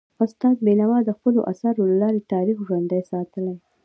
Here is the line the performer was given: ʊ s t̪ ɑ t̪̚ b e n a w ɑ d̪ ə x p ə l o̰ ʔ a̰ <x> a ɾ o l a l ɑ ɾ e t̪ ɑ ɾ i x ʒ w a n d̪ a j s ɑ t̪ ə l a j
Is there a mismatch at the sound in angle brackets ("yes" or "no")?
yes